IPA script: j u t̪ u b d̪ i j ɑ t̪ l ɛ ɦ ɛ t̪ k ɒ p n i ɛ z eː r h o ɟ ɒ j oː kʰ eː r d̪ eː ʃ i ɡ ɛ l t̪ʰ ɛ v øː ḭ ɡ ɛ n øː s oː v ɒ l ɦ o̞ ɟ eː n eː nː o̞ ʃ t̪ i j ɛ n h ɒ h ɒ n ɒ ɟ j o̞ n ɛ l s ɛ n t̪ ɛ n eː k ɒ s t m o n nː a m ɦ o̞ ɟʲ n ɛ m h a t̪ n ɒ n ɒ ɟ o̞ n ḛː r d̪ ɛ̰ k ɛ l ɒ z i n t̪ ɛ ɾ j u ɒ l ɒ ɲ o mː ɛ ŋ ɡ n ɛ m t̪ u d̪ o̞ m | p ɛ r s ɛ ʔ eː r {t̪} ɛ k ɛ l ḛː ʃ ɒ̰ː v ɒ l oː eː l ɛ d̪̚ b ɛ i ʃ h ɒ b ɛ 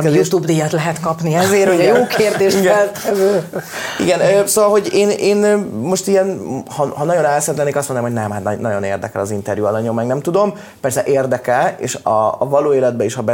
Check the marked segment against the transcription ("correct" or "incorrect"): incorrect